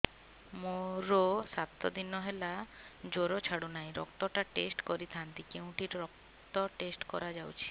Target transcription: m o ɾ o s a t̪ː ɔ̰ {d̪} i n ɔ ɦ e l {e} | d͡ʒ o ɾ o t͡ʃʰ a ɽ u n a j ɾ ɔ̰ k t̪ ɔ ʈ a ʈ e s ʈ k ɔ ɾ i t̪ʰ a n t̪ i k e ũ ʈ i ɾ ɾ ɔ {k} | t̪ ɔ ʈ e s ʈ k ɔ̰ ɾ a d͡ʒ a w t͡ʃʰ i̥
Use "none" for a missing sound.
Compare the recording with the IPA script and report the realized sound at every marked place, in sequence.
d̪, a, k

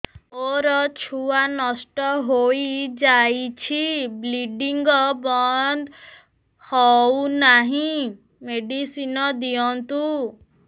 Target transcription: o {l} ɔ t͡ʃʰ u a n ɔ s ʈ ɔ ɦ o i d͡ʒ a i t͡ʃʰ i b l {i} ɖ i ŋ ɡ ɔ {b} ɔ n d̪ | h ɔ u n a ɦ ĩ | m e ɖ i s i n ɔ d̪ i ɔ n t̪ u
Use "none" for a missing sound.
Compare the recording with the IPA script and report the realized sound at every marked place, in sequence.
ɾ, i, b

